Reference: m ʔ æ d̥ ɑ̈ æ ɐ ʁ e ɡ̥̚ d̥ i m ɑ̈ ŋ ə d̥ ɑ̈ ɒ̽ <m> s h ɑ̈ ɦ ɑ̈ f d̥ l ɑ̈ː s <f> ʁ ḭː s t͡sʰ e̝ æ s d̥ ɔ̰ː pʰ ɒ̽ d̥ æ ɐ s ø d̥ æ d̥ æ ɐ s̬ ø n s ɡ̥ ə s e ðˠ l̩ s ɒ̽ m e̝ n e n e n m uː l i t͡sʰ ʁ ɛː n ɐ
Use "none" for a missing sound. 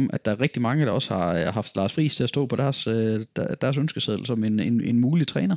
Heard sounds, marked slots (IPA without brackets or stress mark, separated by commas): none, f